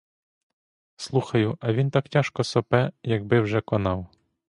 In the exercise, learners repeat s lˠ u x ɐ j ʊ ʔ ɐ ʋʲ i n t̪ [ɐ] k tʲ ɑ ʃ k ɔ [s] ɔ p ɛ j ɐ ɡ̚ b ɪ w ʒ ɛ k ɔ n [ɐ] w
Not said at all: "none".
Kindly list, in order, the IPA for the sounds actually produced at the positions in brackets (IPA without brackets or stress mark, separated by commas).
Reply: ɑ, s, ɑ